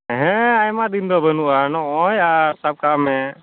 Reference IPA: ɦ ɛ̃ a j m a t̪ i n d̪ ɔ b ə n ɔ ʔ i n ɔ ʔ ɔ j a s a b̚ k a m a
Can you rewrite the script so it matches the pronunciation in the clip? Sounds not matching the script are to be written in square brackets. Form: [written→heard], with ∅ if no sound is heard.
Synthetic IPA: ɦ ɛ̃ a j m a [t̪→d̪] i n d̪ ɔ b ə n [ɔ→u] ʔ [i→a] n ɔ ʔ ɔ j a s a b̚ k a m [a→ɛ]